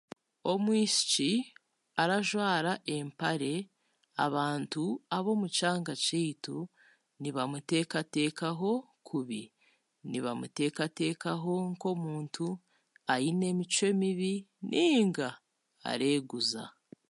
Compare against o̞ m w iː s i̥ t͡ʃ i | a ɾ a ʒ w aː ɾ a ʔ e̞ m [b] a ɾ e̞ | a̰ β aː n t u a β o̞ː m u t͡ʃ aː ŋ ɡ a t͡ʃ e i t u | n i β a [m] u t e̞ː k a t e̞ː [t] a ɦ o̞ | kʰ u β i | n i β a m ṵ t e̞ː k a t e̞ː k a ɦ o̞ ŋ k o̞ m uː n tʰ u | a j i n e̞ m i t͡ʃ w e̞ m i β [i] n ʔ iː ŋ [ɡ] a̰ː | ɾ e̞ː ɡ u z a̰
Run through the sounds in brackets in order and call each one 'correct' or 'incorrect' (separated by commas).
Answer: incorrect, correct, incorrect, correct, correct